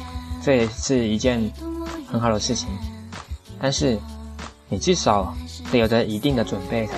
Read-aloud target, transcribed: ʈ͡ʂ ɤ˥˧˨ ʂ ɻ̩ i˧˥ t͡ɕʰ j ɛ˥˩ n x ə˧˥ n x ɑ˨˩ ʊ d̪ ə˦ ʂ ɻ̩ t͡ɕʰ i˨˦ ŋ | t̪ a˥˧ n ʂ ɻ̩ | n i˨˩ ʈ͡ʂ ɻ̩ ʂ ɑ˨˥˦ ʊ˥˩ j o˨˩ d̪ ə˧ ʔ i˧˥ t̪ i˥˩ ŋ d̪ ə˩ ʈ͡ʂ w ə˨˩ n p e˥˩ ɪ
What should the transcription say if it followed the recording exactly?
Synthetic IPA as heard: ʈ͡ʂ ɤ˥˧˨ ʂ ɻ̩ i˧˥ t͡ɕ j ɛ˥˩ n x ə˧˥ n x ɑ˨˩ ʊ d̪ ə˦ ʂ ɻ̩ t͡ɕʰ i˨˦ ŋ | t̪ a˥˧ n ʂ ɻ̩ | n i˨˩ ʈ͡ʂ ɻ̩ ʂ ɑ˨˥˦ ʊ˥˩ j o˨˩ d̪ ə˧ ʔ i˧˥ t̪ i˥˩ ŋ d̪ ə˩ ʈ͡ʂ w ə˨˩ n p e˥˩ ɪ